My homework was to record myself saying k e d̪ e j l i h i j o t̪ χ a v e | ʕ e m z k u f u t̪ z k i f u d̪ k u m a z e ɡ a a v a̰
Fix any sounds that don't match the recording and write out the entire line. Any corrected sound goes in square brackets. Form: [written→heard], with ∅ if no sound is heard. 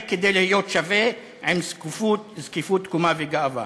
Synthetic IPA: k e d̪ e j l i h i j o t̪ [χ→ʃ] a v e | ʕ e m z k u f u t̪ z k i f u [d̪→t̪] k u m a [z→v] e ɡ a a v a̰